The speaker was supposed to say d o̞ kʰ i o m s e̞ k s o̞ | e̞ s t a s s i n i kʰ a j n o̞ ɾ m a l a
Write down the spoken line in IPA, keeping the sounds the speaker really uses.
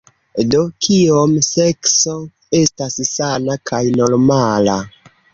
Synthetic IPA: d o̞ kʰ i o m s e̞ k s o̞ | e̞ s t a s s a n a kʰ a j n o̞ ɾ m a l a